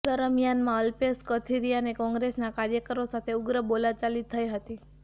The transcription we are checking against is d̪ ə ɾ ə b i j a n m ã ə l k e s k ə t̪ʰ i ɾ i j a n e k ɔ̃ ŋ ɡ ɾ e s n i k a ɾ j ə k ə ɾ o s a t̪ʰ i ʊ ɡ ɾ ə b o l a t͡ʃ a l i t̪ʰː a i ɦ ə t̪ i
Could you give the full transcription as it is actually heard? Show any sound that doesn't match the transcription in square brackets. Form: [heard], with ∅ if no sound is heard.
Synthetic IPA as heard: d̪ ə ɾ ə [m] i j a n m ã ə l [p] e s k ə t̪ʰ i ɾ i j a n e k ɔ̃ ŋ ɡ ɾ e s n [a] k a ɾ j ə k ə ɾ o s a t̪ʰ [e] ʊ ɡ ɾ ə b o l a t͡ʃ a l i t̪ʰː [ə] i ɦ ə t̪ i